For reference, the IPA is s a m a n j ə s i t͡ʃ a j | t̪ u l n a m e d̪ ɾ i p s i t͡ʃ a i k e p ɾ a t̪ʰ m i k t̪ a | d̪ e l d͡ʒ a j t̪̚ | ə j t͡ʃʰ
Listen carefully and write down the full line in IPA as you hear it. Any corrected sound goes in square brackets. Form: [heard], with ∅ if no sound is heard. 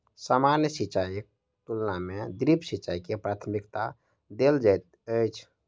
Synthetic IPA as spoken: s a m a n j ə s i t͡ʃ a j | t̪ u l n a m e d̪ ɾ i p s i t͡ʃ a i k e p ɾ a t̪ʰ m i k t̪ a | d̪ e l d͡ʒ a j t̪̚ | ə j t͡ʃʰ